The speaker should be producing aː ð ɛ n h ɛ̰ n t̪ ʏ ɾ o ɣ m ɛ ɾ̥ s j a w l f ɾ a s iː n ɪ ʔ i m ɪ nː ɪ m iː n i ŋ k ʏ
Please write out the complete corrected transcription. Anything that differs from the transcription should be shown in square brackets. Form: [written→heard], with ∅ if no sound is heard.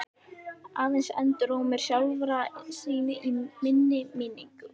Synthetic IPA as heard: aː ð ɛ n [h→s] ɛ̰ n t̪ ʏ ɾ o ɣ m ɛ ɾ̥ s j a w l [f→v] ɾ a s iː n ɪ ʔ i m ɪ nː ɪ m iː n i ŋ k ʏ